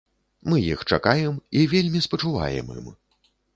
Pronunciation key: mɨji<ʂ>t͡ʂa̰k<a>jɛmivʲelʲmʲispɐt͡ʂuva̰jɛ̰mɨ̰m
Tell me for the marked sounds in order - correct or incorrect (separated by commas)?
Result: incorrect, correct